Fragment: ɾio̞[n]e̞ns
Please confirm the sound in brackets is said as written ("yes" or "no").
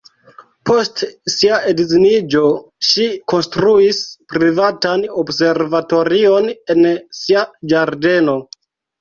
yes